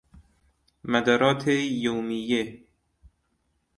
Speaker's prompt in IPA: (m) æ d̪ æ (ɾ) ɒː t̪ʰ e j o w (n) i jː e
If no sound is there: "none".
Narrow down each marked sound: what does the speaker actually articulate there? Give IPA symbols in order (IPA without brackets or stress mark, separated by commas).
m, ɾ, m